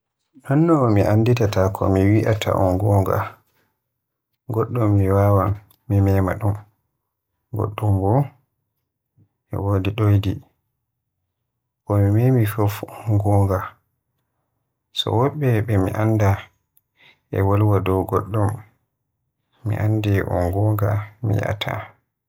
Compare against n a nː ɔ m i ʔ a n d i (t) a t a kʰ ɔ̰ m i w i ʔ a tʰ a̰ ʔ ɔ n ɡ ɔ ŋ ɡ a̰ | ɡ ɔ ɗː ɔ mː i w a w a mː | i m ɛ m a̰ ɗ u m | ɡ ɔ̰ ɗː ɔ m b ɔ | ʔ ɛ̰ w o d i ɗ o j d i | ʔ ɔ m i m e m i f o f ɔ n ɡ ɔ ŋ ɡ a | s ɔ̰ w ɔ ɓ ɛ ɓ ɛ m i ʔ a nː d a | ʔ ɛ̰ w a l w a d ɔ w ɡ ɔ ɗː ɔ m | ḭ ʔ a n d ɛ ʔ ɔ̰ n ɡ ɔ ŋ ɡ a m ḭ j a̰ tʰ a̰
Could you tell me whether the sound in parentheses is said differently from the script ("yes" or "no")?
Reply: no